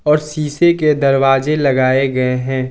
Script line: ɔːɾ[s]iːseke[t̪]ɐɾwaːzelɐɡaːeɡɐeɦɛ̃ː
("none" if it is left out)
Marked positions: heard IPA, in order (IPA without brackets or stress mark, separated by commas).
s, d̪